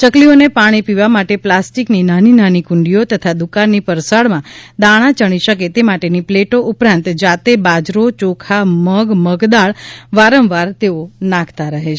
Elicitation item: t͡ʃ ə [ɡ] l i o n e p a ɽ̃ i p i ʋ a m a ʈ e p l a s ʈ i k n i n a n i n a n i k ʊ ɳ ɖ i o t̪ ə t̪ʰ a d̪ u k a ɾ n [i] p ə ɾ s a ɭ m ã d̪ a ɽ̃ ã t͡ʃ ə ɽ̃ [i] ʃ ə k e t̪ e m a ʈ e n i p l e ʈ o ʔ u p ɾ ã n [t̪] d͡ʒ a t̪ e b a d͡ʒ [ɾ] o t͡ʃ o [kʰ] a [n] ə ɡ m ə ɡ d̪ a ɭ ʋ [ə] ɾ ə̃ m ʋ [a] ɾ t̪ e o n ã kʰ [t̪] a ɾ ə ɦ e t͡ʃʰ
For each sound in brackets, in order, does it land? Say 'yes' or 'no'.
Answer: no, yes, yes, yes, yes, yes, no, no, yes, yes

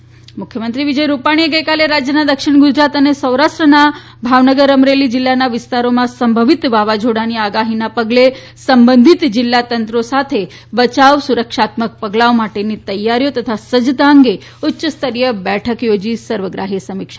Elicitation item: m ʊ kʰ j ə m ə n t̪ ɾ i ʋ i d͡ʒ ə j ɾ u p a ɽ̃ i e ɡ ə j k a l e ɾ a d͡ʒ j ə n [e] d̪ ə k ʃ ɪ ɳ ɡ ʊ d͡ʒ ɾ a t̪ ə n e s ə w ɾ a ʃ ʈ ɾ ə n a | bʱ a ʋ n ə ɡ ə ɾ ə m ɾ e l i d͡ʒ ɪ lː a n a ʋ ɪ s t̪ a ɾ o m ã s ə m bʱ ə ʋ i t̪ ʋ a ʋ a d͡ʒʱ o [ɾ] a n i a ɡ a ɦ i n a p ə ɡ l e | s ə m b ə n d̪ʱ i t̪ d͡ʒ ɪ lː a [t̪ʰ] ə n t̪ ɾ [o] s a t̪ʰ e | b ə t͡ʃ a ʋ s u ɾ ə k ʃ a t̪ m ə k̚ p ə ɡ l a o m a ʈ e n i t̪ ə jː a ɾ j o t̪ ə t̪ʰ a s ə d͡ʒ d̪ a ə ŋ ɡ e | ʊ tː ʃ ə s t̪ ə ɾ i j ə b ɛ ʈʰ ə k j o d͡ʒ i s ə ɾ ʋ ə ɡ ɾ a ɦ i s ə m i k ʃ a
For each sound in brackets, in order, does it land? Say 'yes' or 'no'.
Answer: no, no, no, yes

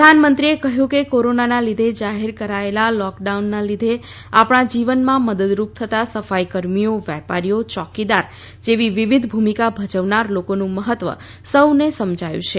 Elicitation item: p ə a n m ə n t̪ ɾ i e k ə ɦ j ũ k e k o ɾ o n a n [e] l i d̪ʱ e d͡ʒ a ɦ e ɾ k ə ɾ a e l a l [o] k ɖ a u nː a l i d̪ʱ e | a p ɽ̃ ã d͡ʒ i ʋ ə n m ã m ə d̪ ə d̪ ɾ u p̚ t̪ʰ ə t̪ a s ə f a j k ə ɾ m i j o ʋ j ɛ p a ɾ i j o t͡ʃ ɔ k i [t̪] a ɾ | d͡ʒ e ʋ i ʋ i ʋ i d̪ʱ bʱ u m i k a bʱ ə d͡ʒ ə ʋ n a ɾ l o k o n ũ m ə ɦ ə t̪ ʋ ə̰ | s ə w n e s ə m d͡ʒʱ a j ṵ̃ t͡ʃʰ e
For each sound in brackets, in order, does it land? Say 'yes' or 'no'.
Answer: no, no, no

